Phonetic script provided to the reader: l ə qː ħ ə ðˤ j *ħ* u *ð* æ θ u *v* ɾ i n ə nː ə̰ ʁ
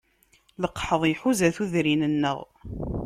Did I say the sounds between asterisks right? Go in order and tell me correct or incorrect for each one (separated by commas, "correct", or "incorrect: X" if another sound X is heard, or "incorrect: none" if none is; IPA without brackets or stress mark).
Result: correct, incorrect: z, incorrect: ð